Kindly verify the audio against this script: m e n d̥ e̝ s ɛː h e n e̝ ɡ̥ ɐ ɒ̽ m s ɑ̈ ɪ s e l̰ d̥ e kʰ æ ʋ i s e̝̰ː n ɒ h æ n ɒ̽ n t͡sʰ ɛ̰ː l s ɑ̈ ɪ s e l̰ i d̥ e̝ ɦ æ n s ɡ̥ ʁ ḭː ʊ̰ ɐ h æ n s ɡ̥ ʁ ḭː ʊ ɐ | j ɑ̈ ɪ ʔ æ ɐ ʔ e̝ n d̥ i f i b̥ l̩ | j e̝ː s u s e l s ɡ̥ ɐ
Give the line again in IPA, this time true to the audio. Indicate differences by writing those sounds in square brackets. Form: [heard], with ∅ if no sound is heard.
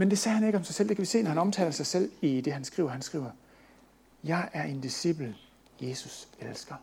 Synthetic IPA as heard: m e n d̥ e̝ s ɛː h [æ] n e̝ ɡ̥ [ə] ɒ̽ m s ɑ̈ ɪ s e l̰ d̥ e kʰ æ ʋ i s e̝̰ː n ɒ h æ n ɒ̽ [m] t͡sʰ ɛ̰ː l s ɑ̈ ɪ s e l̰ i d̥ e̝ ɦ æ n s ɡ̥ ʁ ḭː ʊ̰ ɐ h æ n s ɡ̥ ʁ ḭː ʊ ɐ | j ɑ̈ ɪ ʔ æ ɐ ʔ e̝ n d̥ i [s] i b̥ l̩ | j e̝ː s u s e l s ɡ̥ ɐ